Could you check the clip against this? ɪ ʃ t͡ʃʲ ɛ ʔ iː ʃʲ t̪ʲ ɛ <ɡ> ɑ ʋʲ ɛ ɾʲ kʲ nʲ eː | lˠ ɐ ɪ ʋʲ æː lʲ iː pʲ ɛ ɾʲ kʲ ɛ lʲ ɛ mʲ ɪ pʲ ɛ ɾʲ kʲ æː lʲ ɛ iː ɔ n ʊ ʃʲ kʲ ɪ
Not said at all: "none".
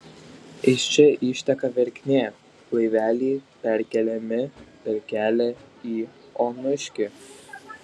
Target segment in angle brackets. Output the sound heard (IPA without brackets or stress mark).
k